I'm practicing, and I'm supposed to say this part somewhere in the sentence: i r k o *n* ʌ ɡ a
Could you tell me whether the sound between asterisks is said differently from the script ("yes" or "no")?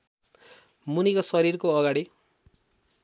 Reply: yes